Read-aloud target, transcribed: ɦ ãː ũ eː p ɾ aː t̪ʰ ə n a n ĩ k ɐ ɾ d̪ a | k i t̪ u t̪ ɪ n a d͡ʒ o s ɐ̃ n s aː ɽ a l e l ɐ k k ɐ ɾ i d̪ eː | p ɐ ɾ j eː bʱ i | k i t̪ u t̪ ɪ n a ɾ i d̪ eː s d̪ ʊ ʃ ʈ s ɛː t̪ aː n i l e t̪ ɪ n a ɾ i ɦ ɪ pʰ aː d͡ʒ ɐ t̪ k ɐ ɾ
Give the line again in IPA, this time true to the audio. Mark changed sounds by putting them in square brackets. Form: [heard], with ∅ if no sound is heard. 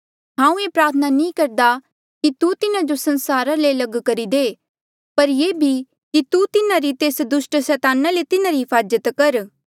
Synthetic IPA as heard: ɦ ãː ũ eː p ɾ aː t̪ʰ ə n a n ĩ k ɐ ɾ d̪ a | k i t̪ u t̪ ɪ n a d͡ʒ o s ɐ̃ n s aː [ɾ] a l e l ɐ [ɡ] k ɐ ɾ i d̪ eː | p ɐ ɾ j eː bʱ i | k i t̪ u t̪ ɪ n a ɾ i [t̪] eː s d̪ ʊ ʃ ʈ s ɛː t̪ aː n [a] l e t̪ ɪ n a ɾ i ɦ ɪ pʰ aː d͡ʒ [ə] t̪ k ɐ ɾ

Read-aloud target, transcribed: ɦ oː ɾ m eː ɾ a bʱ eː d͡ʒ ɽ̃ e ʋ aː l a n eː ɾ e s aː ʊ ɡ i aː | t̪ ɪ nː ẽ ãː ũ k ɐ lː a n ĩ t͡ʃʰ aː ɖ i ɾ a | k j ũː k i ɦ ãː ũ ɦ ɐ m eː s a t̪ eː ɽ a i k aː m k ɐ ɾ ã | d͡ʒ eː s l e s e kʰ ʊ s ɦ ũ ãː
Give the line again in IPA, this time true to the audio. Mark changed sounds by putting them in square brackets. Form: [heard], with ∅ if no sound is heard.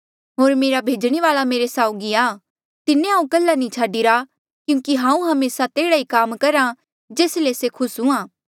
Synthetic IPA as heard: ɦ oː ɾ m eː ɾ a bʱ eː d͡ʒ ɽ̃ e ʋ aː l a [m] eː ɾ e s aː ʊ ɡ i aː | t̪ ɪ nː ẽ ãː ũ k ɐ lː a n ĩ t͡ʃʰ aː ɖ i ɾ a | k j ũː k i ɦ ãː ũ ɦ ɐ m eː s a t̪ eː ɽ a i k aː m k ɐ ɾ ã | d͡ʒ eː s l e s e kʰ ʊ s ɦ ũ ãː

